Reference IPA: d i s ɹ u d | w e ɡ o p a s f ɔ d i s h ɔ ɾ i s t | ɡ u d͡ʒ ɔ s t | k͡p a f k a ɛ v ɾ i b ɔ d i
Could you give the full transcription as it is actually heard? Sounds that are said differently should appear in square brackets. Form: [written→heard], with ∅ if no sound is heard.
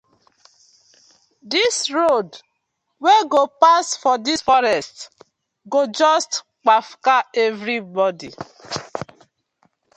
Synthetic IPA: d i s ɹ [u→o] d | w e ɡ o p a s f ɔ d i s [h→f] ɔ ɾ [i→ɛ] s t | ɡ [u→o] d͡ʒ ɔ s t | k͡p a f k a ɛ v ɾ i b ɔ d i